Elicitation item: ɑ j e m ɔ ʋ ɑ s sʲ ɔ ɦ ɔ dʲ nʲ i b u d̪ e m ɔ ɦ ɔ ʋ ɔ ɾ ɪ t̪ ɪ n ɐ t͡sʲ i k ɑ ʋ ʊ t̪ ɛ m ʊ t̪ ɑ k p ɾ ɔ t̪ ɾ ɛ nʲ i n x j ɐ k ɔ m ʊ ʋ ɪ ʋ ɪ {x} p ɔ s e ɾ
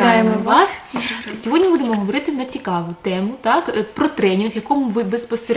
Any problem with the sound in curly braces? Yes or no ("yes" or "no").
yes